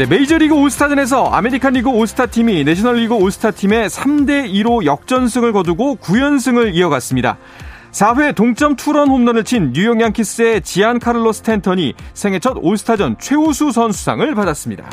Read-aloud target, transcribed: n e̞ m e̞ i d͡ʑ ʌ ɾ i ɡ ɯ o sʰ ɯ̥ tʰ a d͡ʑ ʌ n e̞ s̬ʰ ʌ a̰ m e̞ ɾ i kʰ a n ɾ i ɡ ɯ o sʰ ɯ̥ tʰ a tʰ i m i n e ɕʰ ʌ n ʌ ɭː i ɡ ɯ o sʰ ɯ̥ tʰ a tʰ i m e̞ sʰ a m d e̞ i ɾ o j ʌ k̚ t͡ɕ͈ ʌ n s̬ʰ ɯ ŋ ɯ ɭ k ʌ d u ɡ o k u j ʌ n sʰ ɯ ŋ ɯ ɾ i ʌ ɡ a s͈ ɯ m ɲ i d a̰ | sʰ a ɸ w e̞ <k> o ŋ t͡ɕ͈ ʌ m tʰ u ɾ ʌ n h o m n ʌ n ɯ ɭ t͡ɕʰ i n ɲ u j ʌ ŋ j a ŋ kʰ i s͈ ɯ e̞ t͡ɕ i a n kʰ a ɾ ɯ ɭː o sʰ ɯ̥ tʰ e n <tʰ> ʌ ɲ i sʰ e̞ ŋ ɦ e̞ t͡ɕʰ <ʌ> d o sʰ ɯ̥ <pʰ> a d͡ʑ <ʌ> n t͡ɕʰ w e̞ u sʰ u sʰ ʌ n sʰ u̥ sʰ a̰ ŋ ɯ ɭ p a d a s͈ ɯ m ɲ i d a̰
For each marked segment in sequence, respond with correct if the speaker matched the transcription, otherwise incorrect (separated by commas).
incorrect, correct, correct, incorrect, correct